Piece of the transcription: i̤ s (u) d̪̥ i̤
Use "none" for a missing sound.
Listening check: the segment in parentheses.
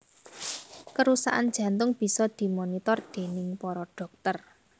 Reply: ɔ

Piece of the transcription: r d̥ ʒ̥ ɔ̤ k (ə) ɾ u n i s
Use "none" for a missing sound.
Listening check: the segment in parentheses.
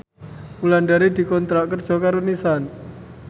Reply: a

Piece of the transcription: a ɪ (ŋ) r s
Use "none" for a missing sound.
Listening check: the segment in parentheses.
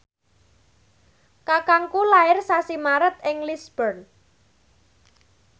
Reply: none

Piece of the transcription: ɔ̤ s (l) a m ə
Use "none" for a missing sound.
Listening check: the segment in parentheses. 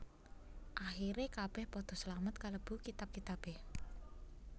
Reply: l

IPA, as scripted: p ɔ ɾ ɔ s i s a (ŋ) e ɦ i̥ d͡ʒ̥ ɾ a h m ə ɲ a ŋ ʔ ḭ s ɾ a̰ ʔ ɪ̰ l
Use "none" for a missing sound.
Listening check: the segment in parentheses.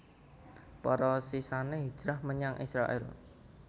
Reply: n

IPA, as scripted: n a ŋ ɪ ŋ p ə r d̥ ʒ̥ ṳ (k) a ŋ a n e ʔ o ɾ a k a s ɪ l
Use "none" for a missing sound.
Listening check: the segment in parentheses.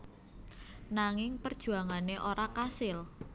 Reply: none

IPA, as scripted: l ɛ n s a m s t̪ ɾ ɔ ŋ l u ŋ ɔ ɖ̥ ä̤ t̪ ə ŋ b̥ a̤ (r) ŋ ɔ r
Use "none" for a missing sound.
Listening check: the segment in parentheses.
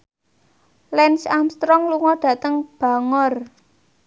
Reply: none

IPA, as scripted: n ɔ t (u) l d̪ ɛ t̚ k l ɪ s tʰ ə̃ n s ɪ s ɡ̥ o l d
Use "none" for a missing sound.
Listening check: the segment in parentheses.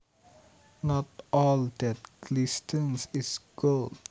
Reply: ɔ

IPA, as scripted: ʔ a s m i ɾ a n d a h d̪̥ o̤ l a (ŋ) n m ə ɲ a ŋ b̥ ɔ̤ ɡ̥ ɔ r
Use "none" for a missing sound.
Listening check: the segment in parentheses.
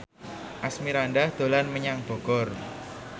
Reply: none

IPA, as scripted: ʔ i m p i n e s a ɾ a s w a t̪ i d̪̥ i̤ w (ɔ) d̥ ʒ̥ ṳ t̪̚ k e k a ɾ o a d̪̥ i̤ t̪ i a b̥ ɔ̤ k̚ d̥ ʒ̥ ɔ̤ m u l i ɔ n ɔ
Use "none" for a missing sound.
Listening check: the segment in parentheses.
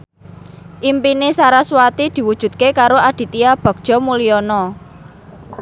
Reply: u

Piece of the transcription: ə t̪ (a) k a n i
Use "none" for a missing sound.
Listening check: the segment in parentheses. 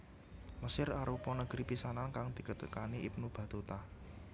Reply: ə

